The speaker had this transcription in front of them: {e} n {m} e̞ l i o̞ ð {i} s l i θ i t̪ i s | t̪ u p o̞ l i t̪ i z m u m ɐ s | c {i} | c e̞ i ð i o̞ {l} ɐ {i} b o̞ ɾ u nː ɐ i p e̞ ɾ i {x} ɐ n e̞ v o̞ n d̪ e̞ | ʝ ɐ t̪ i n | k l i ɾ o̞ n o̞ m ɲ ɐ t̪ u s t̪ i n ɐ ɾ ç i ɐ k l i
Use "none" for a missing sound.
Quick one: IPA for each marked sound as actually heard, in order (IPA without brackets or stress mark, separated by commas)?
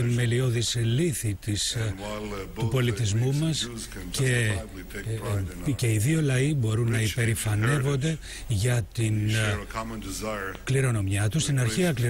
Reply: i, m, i, e, l, i, f